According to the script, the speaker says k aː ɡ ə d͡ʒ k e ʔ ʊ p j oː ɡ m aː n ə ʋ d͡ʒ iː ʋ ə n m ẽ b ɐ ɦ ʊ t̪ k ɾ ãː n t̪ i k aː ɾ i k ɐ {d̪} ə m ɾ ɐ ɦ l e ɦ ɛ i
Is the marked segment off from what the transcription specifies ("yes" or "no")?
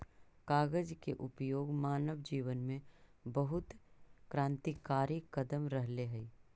no